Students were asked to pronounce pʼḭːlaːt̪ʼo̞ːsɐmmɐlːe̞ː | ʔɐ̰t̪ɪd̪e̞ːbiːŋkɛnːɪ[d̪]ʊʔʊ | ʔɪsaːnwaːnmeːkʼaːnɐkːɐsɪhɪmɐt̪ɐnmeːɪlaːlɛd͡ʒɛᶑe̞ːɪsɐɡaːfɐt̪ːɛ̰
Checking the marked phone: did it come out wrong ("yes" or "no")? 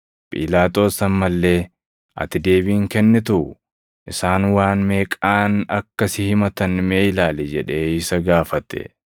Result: yes